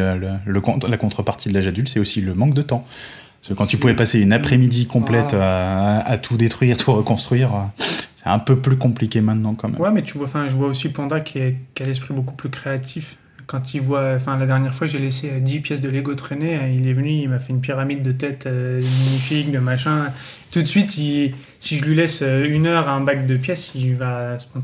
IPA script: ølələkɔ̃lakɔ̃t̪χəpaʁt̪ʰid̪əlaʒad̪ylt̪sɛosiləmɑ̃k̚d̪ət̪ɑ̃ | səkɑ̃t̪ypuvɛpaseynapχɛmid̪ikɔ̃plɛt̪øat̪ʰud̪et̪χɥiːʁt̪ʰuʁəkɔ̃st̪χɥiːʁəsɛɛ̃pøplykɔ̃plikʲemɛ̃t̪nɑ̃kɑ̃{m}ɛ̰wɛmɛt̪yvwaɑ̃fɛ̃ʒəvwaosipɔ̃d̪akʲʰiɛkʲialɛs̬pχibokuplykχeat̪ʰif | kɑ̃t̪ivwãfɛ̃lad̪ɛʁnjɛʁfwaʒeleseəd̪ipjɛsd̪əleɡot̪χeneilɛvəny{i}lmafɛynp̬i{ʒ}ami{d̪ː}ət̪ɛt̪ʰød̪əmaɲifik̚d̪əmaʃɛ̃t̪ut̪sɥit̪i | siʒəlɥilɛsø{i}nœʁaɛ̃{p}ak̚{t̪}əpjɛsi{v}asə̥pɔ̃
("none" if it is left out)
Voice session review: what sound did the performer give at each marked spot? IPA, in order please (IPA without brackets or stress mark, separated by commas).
m, i, ʁ, d̪ː, y, b, d̪, v